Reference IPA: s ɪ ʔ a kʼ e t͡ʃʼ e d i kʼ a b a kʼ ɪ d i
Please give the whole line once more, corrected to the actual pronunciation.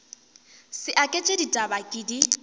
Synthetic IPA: s ɪ ʔ a kʼ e t͡ʃʼ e d i tʼ a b a kʼ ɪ d i